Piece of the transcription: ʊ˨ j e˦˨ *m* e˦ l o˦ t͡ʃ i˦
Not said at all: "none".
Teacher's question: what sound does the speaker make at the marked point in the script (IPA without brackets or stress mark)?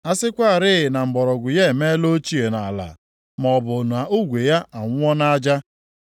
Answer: m